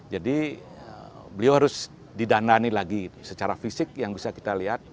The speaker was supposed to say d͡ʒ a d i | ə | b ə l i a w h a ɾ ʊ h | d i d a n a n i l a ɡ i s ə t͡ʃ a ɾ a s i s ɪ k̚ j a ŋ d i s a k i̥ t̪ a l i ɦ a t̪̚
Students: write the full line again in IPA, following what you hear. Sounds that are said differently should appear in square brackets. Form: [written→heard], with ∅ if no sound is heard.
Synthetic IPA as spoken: d͡ʒ a d i | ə | b ə l i a w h a ɾ ʊ [h→s] | d i d a n a n i l a ɡ i s ə t͡ʃ a ɾ a [s→f] i s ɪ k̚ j a ŋ [d→b] i s a k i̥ t̪ a l i ɦ a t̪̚